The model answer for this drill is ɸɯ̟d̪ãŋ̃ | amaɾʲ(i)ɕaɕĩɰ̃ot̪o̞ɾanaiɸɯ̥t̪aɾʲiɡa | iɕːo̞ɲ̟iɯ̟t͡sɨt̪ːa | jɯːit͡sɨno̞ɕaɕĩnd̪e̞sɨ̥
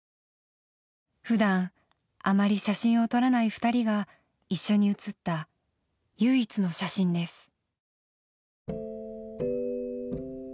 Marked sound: correct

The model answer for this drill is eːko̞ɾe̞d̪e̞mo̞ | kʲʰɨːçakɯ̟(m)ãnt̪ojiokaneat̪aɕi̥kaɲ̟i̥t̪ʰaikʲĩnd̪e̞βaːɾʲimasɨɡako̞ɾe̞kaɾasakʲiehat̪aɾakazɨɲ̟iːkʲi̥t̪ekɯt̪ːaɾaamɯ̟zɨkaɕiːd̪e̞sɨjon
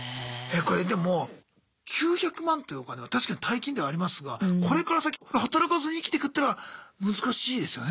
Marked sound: correct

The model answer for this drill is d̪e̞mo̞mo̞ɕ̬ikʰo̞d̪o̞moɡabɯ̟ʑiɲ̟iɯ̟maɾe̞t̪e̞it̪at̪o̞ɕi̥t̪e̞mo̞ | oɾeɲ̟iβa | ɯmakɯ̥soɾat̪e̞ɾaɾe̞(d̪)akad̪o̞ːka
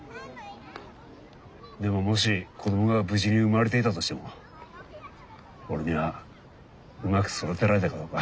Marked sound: incorrect: t̪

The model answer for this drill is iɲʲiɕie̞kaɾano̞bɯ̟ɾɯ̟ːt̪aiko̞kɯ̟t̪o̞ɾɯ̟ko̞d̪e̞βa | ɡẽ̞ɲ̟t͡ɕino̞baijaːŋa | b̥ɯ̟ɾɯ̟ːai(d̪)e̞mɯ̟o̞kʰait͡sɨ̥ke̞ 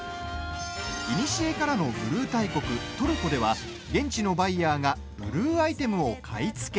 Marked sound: incorrect: t̪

